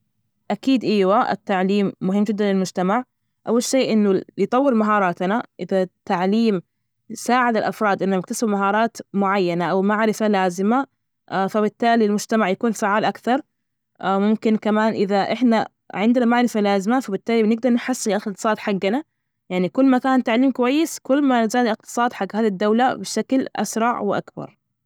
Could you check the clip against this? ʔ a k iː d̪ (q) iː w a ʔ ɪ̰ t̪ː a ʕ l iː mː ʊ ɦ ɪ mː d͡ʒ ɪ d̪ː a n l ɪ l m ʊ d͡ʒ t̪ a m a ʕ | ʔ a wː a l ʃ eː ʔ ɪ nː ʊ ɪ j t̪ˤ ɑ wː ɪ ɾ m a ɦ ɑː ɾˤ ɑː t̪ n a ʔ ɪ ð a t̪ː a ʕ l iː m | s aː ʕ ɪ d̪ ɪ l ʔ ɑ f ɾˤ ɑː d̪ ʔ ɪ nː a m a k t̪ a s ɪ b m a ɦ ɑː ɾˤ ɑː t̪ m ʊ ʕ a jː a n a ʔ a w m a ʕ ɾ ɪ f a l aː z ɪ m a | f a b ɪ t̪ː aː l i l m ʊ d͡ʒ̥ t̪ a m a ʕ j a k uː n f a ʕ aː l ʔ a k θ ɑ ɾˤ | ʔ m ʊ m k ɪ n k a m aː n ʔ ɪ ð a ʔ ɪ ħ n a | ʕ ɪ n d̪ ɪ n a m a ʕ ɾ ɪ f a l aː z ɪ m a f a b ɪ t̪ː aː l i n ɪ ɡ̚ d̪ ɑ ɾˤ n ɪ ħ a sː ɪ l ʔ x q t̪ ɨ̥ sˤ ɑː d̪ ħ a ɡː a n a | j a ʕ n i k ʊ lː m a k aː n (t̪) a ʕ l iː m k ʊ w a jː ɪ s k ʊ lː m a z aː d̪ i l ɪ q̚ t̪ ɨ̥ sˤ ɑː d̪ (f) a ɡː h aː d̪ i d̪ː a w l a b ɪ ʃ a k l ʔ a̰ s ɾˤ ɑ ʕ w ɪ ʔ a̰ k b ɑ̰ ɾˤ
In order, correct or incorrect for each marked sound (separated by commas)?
incorrect, correct, incorrect